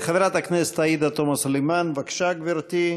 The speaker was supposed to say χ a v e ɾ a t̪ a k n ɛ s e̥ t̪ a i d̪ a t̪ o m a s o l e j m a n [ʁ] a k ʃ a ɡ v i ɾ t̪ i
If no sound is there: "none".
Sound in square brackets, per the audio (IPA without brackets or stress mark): v